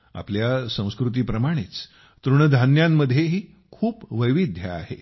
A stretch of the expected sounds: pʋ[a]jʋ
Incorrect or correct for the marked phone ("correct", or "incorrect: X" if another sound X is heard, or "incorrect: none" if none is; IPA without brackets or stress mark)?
incorrect: ə